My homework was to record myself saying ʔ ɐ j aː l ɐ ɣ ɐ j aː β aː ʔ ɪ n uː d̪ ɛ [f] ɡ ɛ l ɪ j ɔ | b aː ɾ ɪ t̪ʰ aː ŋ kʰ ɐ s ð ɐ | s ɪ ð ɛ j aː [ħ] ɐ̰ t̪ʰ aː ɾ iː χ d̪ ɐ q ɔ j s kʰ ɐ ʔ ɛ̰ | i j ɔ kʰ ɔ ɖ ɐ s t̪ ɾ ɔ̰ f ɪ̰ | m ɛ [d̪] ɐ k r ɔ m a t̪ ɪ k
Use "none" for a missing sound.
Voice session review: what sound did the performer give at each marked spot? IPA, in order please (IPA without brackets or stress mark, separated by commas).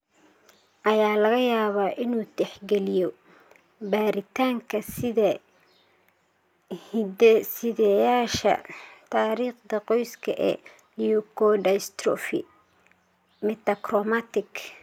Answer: ħ, ʃ, t̪